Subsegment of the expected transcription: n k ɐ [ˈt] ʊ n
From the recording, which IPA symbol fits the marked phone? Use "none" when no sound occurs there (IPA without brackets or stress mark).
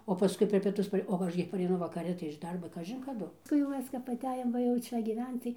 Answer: d